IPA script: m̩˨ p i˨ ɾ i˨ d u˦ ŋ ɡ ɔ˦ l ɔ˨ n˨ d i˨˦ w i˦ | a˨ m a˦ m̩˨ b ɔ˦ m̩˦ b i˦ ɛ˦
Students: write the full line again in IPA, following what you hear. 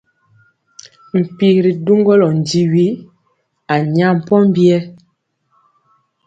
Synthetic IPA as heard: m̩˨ p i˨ ɾ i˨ d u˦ ŋ ɡ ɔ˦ l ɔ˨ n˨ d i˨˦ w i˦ | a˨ ɲ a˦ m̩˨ p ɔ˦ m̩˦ b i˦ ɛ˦